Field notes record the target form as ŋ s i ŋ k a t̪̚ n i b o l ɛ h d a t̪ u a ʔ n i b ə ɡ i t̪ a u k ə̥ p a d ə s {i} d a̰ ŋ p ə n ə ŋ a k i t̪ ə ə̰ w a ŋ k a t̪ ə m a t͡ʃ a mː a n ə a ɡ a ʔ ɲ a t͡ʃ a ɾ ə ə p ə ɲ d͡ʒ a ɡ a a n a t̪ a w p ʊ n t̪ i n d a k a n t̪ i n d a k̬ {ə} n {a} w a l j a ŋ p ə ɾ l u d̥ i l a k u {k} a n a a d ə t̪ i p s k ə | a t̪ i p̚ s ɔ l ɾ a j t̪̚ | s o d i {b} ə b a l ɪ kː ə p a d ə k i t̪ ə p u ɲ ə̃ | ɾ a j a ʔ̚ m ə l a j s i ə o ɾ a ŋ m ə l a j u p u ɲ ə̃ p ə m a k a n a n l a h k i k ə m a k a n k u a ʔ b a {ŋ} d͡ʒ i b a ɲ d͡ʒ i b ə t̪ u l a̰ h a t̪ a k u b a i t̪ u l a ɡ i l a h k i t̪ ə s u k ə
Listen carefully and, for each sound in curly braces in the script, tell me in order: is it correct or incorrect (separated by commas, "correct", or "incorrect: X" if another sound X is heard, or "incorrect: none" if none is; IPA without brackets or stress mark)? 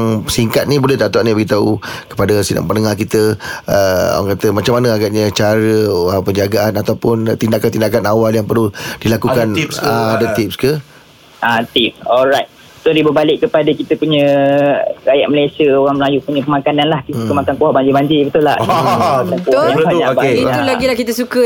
correct, incorrect: a, correct, correct, correct, incorrect: ɲ